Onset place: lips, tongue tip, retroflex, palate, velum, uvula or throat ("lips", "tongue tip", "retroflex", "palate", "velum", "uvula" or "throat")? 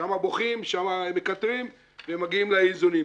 lips